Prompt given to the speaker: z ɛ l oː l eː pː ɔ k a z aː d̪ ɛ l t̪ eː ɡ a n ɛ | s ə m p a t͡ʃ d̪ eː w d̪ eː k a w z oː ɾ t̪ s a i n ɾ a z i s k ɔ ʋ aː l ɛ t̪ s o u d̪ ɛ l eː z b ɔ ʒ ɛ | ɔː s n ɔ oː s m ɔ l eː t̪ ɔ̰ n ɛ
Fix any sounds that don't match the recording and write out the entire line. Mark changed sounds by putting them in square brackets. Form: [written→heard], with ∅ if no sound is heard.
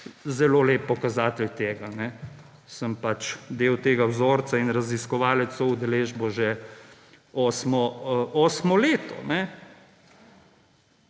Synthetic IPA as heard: z ɛ l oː l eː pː ɔ k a z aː [d̪→t̪] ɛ l t̪ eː ɡ a n ɛ | s ə m p a t͡ʃ d̪ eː w [d̪→t̪] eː [k→ɡ] a w z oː ɾ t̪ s a i n ɾ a z i s k ɔ ʋ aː l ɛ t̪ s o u d̪ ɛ l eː [z→ʒ] b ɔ ʒ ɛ | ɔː s [n→m] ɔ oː s m ɔ l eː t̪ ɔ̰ n ɛ